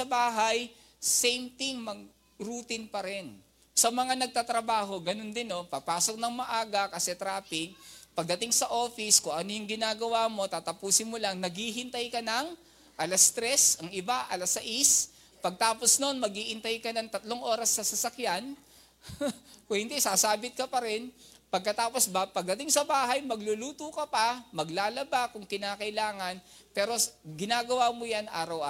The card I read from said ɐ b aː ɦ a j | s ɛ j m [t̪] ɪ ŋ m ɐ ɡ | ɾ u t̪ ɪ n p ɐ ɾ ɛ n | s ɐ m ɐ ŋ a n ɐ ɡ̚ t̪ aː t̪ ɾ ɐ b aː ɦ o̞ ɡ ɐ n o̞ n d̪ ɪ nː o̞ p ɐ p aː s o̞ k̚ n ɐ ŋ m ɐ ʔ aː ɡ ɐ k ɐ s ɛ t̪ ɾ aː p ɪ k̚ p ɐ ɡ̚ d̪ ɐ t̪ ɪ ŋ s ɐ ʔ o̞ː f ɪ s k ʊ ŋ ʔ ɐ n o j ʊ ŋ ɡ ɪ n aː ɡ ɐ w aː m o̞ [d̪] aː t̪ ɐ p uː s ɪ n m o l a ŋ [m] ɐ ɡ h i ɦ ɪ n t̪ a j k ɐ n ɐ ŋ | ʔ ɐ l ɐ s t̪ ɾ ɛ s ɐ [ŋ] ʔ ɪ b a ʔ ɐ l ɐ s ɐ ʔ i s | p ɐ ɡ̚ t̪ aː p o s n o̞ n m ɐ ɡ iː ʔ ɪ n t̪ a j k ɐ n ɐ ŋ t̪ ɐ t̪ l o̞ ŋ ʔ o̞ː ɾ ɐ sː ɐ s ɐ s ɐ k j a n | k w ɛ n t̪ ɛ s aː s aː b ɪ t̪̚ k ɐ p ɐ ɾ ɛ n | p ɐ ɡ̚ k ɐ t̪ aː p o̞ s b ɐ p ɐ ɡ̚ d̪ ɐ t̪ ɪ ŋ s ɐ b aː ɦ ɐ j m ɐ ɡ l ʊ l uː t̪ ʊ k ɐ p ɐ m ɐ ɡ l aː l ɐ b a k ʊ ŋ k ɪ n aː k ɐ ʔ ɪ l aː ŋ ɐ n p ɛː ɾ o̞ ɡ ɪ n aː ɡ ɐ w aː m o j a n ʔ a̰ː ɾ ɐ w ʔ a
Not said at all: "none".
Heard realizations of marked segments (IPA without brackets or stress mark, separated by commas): t̪, t̪, n, ŋ